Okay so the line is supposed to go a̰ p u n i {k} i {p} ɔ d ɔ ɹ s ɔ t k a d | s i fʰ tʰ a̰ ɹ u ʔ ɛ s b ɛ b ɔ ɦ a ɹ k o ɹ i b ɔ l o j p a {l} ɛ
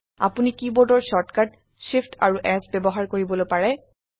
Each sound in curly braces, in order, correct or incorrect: correct, incorrect, incorrect

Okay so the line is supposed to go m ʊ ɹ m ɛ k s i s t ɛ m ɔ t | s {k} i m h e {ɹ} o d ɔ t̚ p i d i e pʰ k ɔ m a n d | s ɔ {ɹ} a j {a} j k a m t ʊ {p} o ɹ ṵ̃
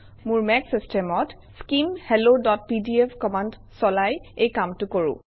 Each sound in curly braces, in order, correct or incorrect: correct, incorrect, incorrect, incorrect, incorrect

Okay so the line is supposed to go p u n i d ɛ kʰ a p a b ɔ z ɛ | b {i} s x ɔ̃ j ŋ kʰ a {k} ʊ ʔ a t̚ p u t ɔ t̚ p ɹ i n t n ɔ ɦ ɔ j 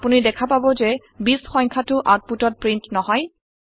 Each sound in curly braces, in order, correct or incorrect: correct, incorrect

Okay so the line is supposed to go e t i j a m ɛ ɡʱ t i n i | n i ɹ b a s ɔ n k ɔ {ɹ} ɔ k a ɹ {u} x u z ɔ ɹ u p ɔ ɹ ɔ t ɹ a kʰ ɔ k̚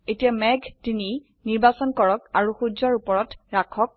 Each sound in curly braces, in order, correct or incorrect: correct, correct

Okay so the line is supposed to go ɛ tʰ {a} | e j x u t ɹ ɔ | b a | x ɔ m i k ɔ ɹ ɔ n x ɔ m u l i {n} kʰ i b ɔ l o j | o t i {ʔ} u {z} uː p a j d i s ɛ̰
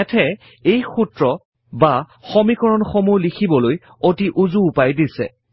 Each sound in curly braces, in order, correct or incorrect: incorrect, incorrect, correct, correct

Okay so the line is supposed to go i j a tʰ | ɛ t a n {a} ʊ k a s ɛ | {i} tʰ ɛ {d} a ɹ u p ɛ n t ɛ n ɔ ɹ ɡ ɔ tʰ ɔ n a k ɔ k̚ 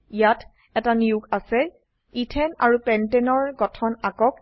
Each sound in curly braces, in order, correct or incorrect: incorrect, correct, incorrect

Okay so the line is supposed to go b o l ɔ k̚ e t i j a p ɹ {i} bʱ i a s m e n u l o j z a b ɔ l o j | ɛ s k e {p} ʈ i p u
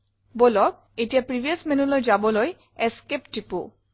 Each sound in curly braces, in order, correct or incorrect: correct, correct

